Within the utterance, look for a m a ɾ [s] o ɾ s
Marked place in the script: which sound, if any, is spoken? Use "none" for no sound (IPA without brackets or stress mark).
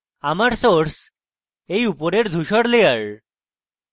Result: s